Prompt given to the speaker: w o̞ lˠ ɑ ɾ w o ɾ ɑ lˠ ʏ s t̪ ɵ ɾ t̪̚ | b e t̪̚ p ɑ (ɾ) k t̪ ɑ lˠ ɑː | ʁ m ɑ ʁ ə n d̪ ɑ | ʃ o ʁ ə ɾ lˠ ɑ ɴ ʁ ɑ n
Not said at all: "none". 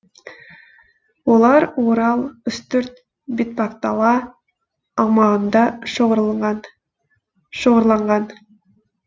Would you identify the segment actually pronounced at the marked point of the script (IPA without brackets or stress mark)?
none